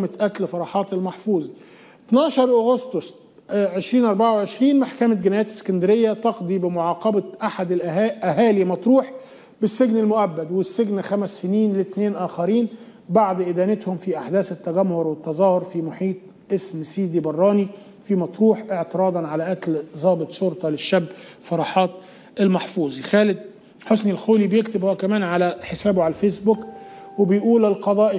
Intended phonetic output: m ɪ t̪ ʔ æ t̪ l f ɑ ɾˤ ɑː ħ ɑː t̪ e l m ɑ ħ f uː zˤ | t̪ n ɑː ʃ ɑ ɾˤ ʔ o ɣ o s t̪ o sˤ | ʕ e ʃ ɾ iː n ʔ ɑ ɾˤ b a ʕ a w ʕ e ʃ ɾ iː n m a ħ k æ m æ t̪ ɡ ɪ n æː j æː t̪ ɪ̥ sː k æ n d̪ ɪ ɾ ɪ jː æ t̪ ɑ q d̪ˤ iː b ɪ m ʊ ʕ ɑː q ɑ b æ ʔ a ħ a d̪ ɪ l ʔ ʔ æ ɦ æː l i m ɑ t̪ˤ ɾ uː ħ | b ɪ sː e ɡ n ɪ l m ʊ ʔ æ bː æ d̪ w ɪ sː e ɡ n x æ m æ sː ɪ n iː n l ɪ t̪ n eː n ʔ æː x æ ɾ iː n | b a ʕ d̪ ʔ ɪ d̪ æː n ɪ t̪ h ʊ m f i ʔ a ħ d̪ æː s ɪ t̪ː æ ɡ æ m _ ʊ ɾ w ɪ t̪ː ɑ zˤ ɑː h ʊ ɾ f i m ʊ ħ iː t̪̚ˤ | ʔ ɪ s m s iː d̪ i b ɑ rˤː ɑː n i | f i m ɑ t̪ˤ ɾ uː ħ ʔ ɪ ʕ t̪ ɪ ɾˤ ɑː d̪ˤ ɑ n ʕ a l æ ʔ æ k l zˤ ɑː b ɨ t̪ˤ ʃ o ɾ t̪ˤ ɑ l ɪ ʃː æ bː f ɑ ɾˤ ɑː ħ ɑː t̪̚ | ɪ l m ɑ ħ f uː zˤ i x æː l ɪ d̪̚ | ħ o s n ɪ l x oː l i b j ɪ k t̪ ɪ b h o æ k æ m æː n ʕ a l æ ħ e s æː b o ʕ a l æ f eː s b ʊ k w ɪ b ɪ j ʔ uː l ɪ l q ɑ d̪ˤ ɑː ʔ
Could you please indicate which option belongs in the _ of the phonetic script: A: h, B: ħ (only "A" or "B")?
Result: A